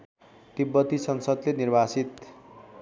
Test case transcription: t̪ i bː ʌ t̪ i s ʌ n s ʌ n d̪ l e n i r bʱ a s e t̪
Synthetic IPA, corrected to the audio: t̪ i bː ʌ t̪ i s ʌ n s ʌ d̪ l e n i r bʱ a s i t̪